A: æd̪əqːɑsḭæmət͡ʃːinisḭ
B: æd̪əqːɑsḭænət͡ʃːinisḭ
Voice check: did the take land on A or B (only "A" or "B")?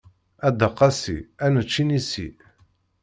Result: B